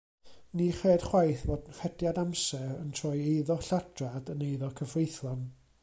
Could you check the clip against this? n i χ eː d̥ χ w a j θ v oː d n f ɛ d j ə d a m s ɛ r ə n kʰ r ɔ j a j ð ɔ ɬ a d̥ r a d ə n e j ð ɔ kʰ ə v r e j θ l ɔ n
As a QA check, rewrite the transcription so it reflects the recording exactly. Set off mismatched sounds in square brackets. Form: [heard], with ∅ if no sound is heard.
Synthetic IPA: n i χ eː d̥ χ w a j θ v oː d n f ɛ d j [a] d a m s ɛ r ə n [tʰ] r ɔ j [e] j ð ɔ ɬ a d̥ r a d ə n e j ð ɔ kʰ ə v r e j θ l ɔ n